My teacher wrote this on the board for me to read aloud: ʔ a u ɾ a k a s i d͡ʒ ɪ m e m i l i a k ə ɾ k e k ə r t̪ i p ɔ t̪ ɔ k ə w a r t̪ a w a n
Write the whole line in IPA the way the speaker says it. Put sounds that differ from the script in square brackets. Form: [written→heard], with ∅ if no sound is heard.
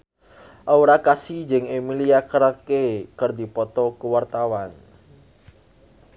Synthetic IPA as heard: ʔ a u ɾ a k a s i d͡ʒ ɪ [m→ŋ] e m i l i a k ə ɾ k e k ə r [t̪→d̪] i p ɔ t̪ ɔ k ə w a r t̪ a w a n